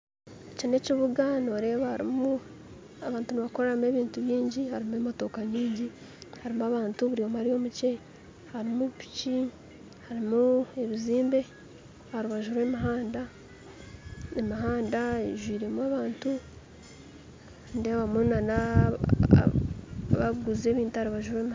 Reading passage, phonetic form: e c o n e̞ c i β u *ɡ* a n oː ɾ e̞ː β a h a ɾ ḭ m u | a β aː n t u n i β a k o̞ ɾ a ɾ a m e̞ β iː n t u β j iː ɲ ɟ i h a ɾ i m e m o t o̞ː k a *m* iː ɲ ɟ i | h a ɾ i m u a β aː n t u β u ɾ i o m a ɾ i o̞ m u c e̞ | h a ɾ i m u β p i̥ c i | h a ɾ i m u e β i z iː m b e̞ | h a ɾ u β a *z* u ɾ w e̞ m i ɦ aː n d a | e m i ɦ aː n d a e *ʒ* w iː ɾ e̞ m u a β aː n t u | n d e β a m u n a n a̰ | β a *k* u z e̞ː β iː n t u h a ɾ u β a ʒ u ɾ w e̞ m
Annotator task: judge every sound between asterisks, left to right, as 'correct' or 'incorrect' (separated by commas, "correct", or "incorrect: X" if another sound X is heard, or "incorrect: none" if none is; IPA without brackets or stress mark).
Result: correct, incorrect: ɲ, incorrect: ʒ, correct, incorrect: ɡ